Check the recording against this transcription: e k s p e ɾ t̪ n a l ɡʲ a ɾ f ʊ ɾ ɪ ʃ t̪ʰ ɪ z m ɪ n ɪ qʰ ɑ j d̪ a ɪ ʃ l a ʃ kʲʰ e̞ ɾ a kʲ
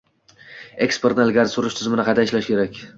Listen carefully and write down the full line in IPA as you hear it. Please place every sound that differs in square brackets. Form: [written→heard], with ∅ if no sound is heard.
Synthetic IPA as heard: e k s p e ɾ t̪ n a l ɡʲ a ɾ [f→s] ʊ ɾ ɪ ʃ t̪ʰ ɪ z m ɪ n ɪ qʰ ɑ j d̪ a ɪ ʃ l a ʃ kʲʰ e̞ ɾ a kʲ